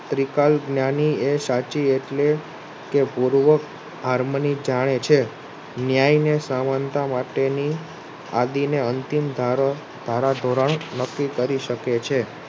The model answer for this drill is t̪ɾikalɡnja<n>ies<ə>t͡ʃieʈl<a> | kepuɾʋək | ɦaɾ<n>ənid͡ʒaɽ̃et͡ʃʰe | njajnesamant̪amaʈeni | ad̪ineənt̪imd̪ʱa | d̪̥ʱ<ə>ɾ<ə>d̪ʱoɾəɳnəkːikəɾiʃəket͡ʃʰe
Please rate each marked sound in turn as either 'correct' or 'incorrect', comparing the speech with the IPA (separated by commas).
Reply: correct, incorrect, incorrect, incorrect, incorrect, incorrect